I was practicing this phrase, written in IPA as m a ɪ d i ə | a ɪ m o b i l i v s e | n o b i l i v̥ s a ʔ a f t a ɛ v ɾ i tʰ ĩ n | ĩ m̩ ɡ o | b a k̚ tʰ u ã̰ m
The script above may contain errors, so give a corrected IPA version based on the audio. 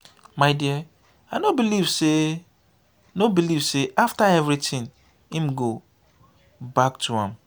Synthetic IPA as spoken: m a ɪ d i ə | a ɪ n o b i l i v s e | n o b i l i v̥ s e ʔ a f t a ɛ v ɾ i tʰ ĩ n | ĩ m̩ ɡ o | b a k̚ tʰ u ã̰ m

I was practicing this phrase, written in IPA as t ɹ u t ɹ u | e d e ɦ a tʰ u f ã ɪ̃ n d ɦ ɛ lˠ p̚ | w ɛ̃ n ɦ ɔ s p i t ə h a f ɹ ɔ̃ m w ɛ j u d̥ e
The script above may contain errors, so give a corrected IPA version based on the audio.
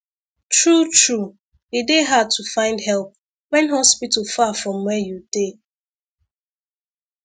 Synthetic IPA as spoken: t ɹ u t ɹ u | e d e ɦ a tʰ u f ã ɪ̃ n d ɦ ɛ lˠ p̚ | w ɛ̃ n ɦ ɔ s p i t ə f a f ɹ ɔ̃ m w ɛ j u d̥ e

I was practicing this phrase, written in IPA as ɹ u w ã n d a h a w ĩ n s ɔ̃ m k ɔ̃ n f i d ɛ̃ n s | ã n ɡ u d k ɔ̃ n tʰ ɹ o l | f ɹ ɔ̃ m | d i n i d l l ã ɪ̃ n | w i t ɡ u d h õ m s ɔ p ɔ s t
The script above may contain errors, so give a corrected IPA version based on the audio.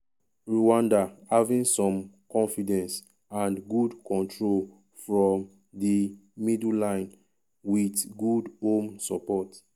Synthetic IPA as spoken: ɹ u w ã n d a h a v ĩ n s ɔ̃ m k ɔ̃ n f i d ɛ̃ n s | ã n ɡ u d k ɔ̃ n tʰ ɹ o l | f ɹ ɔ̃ m | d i m i d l l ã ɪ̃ n | w i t ɡ u d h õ m s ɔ p ɔ t

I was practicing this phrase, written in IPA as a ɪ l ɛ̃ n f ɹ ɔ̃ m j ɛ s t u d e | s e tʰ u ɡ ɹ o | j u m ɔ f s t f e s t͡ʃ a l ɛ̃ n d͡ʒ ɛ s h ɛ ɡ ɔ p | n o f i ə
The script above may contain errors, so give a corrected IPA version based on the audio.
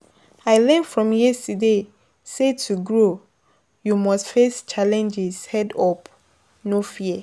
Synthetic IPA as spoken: a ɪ l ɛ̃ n f ɹ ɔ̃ m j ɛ s t u d e | s e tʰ u ɡ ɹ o | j u m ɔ s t f e s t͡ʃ a l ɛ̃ n d͡ʒ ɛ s h ɛ d ɔ p | n o f i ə

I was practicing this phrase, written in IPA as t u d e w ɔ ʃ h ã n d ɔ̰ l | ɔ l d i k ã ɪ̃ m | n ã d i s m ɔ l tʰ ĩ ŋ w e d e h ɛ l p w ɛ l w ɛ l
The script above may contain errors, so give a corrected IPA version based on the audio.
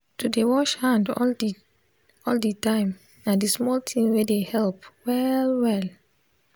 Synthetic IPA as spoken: t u d e w ɔ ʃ h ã n d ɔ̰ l | ɔ l d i t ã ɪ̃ m | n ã d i s m ɔ l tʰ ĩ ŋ w e d e h ɛ l p w ɛ l w ɛ l

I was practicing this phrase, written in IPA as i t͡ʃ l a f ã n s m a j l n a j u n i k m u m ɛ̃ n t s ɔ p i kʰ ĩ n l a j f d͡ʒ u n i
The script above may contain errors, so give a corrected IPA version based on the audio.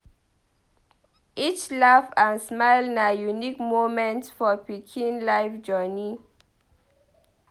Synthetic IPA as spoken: i t͡ʃ l a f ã n s m a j l n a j u n i k m o m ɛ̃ n t f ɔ p i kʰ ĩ n l a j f d͡ʒ ɔ n i

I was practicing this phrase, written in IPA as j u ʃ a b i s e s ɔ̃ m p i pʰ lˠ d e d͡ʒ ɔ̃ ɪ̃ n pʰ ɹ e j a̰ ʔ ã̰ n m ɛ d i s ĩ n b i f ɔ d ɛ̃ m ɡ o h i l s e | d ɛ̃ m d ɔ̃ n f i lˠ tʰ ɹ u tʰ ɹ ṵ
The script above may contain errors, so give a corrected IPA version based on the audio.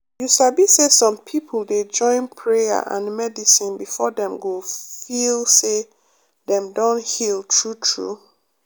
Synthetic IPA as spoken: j u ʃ a b i s e s ɔ̃ m pʰ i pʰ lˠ d e d͡ʒ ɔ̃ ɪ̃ n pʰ ɹ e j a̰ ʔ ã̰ n m ɛ d i s ĩ n b i f ɔ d ɛ̃ m ɡ o f i l s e | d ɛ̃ m d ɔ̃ n h i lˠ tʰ ɹ u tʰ ɹ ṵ

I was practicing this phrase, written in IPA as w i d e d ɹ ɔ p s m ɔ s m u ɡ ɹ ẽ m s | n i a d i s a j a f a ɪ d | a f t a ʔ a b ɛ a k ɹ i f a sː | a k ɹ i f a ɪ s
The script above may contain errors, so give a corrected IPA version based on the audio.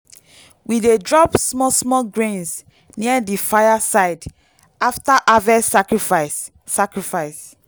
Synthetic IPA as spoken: w i d e d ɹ ɔ p s m ɔ s m ɔ ɡ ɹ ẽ n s | n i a d i f a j a s a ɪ d | a f t a ʔ a v ɛ a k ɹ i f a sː | a k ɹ i f a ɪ s

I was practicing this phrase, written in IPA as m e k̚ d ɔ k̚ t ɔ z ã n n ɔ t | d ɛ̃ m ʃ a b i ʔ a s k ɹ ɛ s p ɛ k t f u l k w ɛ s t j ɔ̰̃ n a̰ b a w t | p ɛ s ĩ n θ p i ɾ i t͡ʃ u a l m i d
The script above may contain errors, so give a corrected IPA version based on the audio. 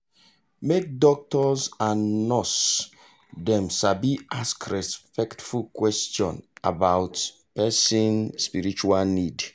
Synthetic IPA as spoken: m e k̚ d ɔ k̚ t ɔ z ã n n ɔ s | d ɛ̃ m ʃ a b i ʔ a s k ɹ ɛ s p ɛ k t f u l k w ɛ s t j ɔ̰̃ n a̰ b a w t | p ɛ s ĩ n s p i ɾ i t͡ʃ u a l n i d

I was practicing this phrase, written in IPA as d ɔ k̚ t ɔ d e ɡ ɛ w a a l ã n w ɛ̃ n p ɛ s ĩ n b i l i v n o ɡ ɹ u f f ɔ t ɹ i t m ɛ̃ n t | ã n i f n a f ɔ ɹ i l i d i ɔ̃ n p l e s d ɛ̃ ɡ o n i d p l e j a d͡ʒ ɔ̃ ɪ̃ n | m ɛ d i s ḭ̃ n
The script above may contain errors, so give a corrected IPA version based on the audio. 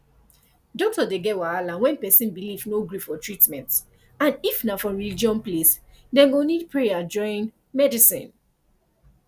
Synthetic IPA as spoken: d ɔ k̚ t ɔ d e ɡ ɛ w a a l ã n w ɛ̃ n p ɛ s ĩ n b i l i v n o ɡ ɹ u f f ɔ t ɹ i t m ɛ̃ n t | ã n i f n a f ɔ ɹ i l i d͡ʒ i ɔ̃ n p l e s d ɛ̃ ɡ o n i d p ɹ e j a d͡ʒ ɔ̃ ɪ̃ n | m ɛ d i s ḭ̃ n

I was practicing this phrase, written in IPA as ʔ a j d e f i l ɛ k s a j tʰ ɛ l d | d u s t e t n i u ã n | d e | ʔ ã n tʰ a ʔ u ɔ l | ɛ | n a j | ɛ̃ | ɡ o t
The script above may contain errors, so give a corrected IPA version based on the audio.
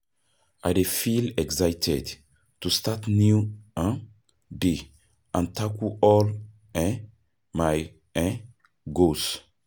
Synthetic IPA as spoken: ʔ a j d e f i l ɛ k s a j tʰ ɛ d | t u s t a t n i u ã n | d e | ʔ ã n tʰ a k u ɔ l | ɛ | m a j | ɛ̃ | ɡ o s

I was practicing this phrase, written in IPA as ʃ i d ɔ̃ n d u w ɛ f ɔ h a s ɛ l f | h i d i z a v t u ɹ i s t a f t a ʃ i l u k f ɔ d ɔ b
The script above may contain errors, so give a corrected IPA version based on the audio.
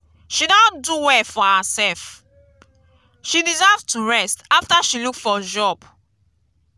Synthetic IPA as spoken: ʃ i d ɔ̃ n d u w ɛ f ɔ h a s ɛ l f | ʃ i d i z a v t u ɹ ɛ s t a f t a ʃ i l u k f ɔ d͡ʒ ɔ b

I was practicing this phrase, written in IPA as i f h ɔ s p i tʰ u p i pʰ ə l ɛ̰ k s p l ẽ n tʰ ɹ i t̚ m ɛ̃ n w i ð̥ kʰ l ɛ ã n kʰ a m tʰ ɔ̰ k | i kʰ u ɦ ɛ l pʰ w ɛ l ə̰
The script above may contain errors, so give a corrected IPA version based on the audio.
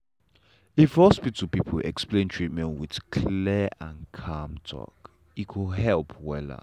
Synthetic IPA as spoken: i f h ɔ s p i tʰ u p i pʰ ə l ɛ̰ k s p l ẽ n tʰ ɹ i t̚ m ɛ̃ n w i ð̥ kʰ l ɛ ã n kʰ a m tʰ ɔ̰ k | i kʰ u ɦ ɛ l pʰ w ɛ l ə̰

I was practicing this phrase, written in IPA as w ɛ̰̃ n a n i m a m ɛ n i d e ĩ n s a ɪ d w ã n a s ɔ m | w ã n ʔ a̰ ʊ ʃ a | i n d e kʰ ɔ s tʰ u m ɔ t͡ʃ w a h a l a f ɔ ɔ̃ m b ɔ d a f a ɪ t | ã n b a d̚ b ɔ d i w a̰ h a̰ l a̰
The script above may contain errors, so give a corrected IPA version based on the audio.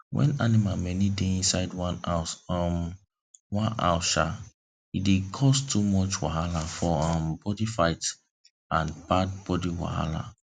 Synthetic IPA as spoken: w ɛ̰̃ n a n i m a m ɛ n i d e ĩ n s a ɪ d w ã n a s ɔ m | w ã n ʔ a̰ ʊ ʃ a | i d e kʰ ɔ s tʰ u m ɔ t͡ʃ w a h a l a f ɔ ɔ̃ m b ɔ d i f a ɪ t | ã n b a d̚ b ɔ d i w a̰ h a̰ l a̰

